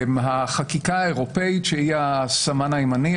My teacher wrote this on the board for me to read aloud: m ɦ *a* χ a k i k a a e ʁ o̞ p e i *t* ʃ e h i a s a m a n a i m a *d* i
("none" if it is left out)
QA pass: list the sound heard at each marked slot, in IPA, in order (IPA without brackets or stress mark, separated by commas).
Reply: a, t, n